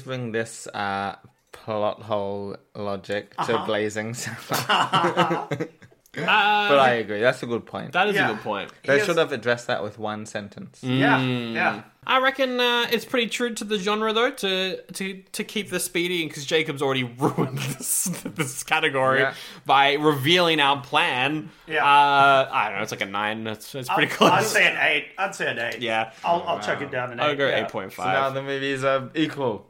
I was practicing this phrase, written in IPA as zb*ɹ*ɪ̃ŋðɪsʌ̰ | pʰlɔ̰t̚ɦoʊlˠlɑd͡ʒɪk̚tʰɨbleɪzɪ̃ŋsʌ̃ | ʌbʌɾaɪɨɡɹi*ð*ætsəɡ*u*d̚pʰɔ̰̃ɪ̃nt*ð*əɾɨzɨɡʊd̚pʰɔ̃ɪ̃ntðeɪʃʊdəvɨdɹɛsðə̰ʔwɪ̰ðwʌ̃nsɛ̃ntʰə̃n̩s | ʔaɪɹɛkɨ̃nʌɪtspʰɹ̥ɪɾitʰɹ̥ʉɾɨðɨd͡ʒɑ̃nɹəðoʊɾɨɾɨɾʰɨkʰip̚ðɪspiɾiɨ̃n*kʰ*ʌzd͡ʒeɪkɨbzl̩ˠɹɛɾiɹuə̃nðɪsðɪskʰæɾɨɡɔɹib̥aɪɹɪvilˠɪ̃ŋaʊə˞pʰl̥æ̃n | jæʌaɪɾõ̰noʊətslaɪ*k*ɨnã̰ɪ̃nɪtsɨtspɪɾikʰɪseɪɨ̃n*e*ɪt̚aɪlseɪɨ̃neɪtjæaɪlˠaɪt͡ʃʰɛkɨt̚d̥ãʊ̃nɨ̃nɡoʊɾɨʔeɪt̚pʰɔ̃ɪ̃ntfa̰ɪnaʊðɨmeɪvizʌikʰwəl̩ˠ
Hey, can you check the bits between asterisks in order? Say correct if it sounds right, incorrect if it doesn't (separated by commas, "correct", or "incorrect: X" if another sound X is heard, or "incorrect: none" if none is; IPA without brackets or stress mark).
correct, correct, incorrect: ʊ, correct, correct, correct, correct